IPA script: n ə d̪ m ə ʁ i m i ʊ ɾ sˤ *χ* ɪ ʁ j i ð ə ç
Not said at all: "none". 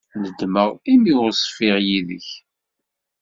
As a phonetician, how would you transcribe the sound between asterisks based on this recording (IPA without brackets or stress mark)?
f